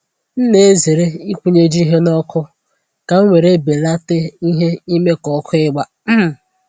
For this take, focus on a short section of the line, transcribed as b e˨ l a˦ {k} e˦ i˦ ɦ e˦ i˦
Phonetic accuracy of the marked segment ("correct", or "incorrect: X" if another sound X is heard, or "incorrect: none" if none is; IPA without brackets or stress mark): incorrect: t